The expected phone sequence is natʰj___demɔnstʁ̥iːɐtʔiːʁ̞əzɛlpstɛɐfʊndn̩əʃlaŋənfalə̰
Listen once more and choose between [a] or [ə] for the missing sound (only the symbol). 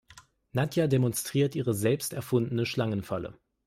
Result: a